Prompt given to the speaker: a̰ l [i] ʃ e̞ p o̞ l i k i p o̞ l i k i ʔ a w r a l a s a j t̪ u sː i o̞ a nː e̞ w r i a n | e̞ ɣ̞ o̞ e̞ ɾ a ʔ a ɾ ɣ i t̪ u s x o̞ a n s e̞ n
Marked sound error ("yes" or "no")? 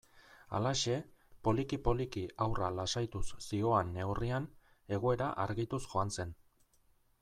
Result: yes